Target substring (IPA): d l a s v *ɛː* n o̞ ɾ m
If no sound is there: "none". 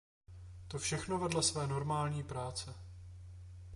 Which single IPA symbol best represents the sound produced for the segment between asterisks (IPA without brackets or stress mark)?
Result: ɛː